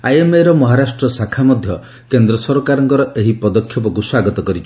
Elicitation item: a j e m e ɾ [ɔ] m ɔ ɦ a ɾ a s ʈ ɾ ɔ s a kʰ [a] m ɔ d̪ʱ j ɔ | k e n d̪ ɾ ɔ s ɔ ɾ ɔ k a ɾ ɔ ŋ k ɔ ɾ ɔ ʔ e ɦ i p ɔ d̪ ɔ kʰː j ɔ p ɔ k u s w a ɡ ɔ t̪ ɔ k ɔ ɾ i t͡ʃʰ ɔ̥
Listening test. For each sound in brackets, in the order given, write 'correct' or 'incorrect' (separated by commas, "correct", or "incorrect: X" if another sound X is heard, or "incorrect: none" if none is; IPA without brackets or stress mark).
correct, correct